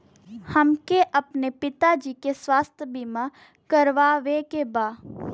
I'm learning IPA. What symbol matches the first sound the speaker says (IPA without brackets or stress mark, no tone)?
h